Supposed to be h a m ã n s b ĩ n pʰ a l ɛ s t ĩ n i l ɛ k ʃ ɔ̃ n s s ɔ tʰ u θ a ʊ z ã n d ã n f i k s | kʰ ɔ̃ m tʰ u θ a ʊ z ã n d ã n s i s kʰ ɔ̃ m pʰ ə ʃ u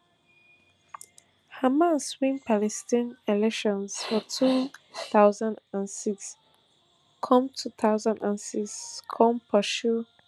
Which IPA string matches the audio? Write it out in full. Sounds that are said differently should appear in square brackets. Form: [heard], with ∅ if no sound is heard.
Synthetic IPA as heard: h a m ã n s [w] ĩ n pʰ a l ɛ s t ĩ n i l ɛ k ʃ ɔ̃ n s [f] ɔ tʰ u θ a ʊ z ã n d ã n [s] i k s | kʰ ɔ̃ m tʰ u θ a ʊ z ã n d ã n s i s kʰ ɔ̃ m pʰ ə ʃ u